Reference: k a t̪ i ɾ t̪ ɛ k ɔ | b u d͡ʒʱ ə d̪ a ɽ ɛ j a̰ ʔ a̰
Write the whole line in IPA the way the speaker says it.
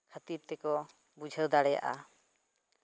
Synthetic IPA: kʰ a t̪ i ɾ t̪ ɛ k ɔ | b u d͡ʒʱ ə d̪ a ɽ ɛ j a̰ ʔ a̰